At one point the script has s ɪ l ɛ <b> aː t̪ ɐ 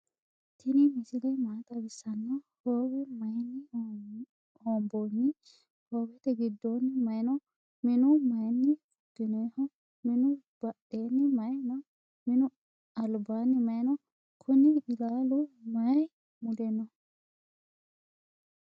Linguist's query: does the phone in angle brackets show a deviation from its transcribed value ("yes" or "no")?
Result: yes